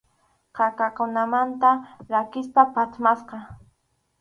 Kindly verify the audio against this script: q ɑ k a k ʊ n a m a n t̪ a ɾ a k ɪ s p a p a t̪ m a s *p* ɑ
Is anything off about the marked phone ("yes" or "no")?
yes